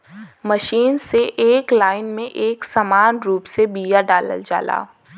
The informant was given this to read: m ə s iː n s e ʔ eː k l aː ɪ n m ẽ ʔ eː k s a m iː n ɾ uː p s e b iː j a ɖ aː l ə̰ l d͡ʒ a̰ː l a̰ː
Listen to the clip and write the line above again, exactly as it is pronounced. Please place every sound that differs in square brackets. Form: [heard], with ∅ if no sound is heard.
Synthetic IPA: m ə [ʃ] iː n s e ʔ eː k l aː ɪ n m ẽ ʔ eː k s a m [aː] n ɾ uː p s e b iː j a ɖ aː l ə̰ l d͡ʒ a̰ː l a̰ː